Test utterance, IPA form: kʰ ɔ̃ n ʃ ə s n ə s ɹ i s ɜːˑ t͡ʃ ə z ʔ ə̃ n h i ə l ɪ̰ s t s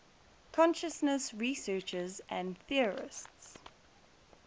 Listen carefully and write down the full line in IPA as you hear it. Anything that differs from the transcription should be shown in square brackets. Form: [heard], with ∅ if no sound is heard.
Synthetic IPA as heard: kʰ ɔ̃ n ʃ ə s n ə s ɹ i s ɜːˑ t͡ʃ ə z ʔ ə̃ n [θ] i ə [ɹ] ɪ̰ s t s